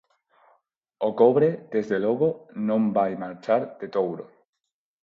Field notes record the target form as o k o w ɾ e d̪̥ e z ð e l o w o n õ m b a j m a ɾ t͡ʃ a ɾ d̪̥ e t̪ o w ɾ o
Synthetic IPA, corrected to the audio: o k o β ɾ e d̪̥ e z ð e l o ɣ o n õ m b a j m a ɾ t͡ʃ a ɾ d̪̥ e t̪ o w ɾ o